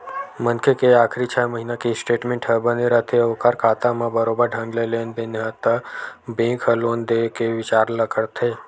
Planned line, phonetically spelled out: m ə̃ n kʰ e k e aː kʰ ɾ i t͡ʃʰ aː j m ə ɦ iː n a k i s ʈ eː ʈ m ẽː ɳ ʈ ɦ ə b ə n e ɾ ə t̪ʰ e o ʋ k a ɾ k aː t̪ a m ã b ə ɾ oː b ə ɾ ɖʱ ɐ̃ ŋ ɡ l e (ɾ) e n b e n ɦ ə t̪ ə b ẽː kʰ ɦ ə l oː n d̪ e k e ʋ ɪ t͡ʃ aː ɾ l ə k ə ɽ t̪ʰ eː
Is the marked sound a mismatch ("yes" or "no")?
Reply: yes